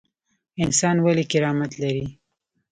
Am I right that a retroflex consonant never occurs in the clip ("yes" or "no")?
yes